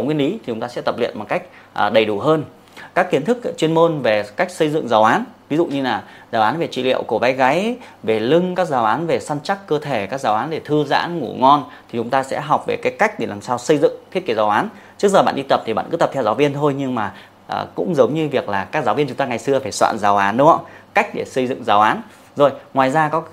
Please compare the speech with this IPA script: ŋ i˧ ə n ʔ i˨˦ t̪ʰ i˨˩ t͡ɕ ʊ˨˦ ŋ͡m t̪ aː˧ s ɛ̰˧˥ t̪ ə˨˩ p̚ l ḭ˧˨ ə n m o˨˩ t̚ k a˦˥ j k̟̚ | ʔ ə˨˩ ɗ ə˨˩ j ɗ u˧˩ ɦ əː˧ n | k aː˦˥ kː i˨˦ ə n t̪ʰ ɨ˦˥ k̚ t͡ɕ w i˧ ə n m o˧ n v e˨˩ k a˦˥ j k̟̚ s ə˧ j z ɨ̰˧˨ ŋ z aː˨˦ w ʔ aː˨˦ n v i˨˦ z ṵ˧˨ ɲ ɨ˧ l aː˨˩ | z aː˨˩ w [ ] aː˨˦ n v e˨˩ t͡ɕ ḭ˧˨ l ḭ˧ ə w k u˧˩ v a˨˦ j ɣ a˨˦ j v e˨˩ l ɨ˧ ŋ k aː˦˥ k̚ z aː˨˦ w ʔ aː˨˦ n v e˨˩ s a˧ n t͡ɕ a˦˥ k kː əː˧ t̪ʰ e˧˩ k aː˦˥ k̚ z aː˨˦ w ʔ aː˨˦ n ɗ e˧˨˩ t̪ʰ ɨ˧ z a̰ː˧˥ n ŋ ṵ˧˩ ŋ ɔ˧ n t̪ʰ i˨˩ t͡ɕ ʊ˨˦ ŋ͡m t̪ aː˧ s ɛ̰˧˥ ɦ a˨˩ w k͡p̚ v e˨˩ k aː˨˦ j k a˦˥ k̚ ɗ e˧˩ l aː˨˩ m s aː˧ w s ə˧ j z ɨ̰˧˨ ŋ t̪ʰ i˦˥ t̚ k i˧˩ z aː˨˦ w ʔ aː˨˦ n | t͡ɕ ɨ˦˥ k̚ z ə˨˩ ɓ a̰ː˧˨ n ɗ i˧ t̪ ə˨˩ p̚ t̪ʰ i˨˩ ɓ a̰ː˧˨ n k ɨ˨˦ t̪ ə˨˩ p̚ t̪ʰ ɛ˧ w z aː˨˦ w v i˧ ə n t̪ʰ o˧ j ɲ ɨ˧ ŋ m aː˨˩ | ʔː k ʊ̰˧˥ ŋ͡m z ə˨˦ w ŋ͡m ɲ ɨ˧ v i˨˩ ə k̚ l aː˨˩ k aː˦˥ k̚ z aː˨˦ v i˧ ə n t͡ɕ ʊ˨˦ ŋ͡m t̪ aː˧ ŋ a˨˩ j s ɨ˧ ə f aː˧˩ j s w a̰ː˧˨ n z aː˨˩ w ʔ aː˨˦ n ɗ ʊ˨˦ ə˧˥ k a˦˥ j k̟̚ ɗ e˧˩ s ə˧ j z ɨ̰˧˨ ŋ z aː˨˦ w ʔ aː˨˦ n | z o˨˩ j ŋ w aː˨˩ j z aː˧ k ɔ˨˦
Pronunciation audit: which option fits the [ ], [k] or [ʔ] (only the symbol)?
ʔ